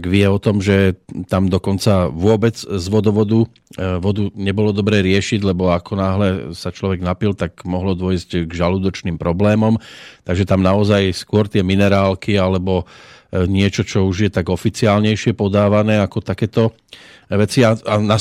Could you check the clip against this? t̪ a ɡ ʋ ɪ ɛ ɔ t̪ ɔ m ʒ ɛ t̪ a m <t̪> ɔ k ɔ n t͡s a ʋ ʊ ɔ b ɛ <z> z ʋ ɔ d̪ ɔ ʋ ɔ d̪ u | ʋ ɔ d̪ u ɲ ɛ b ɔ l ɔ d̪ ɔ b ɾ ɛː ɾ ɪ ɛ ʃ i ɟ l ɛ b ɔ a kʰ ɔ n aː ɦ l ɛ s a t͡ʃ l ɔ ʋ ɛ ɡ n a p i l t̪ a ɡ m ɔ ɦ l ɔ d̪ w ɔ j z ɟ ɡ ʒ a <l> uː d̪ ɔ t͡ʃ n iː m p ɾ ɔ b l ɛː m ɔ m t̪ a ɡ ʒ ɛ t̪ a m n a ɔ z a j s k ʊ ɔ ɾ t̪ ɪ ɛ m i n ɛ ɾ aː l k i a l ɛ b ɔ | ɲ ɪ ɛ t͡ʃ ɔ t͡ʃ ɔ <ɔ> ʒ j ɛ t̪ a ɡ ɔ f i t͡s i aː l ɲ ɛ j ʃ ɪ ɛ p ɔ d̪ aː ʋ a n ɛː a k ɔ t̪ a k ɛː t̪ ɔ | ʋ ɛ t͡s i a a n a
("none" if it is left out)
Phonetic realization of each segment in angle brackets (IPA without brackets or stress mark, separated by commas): d̪, d͡z, l, u